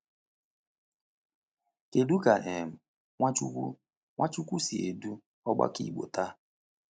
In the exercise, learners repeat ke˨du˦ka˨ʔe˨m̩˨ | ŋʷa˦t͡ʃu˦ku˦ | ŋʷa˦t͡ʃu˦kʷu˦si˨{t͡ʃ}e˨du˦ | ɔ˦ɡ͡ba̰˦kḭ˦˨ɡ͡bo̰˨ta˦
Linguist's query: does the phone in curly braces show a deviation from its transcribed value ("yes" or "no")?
yes